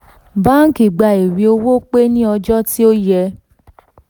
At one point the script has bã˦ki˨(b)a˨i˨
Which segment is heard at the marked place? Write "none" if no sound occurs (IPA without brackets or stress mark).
ɡ͡b